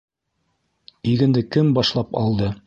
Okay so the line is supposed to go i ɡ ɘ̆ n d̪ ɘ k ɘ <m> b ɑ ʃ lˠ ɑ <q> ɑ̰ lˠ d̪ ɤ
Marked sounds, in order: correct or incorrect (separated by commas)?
correct, incorrect